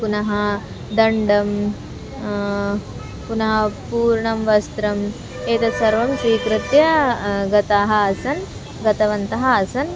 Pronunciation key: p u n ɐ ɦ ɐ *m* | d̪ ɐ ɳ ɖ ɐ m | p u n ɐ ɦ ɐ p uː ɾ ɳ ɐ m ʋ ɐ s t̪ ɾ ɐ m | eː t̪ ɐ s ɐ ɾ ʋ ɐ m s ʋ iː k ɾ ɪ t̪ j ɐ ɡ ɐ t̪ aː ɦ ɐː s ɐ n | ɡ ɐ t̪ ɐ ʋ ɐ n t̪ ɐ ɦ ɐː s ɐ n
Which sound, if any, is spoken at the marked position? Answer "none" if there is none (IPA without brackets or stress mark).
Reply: none